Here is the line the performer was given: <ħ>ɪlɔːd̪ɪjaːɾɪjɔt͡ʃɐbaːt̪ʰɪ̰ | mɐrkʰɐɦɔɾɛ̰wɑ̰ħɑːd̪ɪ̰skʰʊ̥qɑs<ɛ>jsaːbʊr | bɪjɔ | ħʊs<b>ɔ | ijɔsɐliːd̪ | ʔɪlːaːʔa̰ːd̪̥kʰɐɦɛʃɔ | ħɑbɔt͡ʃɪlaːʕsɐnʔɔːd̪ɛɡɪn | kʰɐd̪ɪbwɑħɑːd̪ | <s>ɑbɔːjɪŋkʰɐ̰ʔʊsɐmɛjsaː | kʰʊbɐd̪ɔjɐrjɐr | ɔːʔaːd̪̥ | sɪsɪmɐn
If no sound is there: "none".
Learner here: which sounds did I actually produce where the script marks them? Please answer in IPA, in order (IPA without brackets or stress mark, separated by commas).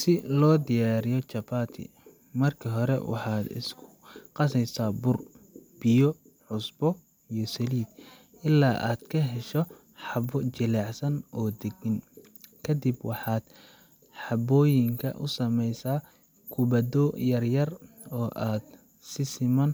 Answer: s, ɛ, b, ħ